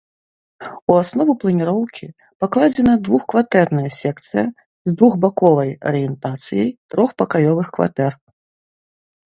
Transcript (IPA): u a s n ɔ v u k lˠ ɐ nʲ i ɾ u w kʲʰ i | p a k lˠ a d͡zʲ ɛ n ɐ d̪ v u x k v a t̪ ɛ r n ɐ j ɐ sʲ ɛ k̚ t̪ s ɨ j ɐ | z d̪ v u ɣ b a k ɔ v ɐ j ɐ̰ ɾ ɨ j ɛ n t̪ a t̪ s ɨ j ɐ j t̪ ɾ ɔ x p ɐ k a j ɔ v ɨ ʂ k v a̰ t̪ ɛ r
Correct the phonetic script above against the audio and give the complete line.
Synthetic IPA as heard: u a s n ɔ v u p lˠ ɐ nʲ i ɾ ɔ w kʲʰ i | p a k lˠ a d͡zʲ ɛ n ɐ d̪ v u x k v a t̪ ɛ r n ɐ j ɐ sʲ ɛ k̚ t̪ s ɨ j ɐ | z d̪ v u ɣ b a k ɔ v ɐ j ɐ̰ ɾ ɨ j ɛ n t̪ a t̪ s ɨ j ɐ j t̪ ɾ ɔ x p ɐ k a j ɔ v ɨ x k v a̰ t̪ ɛ r

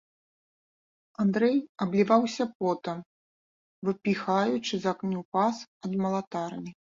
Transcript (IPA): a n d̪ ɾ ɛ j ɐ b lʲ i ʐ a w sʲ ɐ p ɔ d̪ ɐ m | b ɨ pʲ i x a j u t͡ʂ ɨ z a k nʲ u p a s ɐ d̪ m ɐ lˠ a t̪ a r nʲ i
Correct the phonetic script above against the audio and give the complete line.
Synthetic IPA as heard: a n d̪ ɾ ɛ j ɐ b lʲ i v a w sʲ ɐ p ɔ t̪ ɐ m | v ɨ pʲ i x a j u t͡ʂ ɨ z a k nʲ u p a s ɐ d̪ m ɐ lˠ a t̪ a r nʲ i

